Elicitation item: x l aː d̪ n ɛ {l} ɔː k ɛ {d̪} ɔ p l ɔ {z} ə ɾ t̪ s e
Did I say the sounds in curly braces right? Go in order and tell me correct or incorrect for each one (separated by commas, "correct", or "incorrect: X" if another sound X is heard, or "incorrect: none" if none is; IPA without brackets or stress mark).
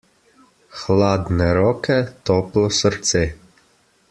incorrect: ɾ, incorrect: t̪, incorrect: s